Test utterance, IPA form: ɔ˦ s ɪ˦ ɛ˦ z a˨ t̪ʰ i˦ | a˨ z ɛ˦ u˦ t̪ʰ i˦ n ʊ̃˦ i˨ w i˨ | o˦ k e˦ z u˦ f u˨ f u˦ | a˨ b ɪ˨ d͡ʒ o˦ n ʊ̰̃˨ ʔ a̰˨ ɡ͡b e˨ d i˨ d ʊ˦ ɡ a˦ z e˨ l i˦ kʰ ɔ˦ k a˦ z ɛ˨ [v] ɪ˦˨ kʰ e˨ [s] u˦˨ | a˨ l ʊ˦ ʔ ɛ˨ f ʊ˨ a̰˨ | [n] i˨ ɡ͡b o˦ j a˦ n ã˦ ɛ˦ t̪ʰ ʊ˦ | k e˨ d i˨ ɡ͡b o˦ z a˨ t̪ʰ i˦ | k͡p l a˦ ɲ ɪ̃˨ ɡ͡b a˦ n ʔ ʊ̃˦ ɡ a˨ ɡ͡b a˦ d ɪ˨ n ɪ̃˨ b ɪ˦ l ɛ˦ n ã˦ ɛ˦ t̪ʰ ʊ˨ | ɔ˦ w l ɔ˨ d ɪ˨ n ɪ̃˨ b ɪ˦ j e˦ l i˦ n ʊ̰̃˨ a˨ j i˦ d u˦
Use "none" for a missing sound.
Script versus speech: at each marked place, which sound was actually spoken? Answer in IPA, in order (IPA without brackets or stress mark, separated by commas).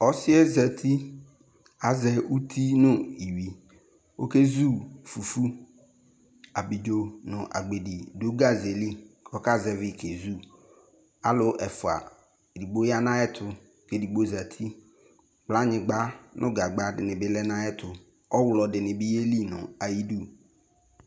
v, z, d